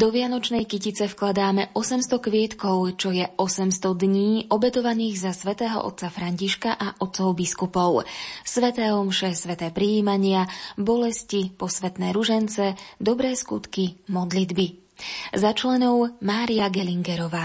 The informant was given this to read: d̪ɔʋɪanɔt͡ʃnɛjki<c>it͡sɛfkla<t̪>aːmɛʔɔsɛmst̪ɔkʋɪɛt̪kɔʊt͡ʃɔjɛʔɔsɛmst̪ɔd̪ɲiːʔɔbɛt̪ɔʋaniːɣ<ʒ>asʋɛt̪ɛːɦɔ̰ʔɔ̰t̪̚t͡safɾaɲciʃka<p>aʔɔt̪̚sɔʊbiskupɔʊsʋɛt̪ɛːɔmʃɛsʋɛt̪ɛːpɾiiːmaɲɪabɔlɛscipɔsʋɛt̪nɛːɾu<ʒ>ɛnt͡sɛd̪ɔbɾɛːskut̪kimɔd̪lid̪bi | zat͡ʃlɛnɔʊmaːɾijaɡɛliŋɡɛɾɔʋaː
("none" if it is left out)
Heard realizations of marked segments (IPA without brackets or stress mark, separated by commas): c, d̪, z, ʔ, ʒ